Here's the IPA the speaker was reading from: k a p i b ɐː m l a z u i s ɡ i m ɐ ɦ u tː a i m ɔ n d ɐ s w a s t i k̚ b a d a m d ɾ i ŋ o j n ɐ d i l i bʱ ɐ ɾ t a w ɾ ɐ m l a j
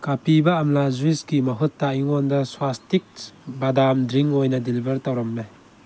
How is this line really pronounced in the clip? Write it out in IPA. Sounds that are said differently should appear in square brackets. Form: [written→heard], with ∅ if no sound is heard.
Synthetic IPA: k a p i b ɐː m l a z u i s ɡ i m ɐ ɦ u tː a i [m→ŋ] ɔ n d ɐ s w a s t i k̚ b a d a m d ɾ i ŋ o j n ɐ d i l i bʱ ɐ ɾ t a w ɾ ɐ m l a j